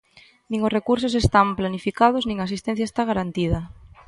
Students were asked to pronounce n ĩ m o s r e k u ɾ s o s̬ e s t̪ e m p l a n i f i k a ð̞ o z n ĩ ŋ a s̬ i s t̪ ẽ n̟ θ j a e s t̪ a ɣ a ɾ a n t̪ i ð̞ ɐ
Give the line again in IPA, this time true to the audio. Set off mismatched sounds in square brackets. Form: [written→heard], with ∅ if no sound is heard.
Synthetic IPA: n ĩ [m→ŋ] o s r e k u ɾ s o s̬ e s t̪ [e→a] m p l a n i f i k a ð̞ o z n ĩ ŋ a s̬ i s t̪ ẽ n̟ θ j a e s t̪ a ɣ a ɾ a n t̪ i ð̞ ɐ